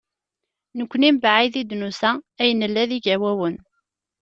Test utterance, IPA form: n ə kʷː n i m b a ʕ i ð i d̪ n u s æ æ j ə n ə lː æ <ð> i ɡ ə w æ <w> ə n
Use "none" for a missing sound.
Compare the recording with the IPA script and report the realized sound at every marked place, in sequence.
ð, w

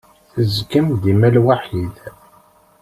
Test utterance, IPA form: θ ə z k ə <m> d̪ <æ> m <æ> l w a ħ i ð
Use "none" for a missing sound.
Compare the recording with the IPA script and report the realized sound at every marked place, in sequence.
m, i, æ

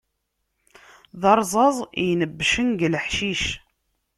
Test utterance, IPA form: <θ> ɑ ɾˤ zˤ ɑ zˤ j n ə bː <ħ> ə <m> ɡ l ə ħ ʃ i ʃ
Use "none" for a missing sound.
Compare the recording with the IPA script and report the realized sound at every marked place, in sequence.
ð, ʃ, n

